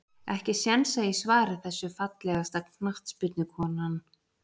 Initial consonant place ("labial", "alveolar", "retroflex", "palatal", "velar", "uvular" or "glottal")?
glottal